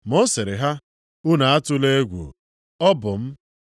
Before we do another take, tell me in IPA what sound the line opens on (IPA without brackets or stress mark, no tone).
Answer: m